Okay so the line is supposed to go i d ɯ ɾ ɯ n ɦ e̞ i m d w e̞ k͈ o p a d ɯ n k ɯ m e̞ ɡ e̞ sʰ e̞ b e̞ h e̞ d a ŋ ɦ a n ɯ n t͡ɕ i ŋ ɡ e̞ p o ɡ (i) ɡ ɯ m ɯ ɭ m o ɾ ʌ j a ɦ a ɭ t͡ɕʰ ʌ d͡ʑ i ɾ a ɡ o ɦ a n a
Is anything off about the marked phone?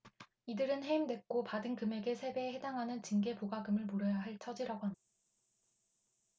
yes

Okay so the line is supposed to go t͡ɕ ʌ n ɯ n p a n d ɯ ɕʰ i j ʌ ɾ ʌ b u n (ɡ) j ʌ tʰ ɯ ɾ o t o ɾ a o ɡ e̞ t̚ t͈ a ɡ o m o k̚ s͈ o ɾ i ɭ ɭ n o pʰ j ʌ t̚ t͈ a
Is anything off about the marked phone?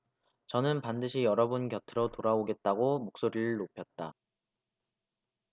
yes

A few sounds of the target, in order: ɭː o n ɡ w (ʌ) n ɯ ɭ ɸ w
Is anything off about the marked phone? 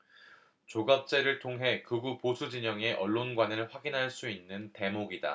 yes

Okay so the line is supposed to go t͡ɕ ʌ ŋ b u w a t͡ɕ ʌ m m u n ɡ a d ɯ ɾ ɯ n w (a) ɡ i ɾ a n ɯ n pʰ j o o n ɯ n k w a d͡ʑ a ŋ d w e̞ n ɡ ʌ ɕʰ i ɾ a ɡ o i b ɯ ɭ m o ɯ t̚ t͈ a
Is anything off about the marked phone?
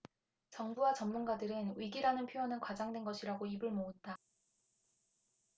yes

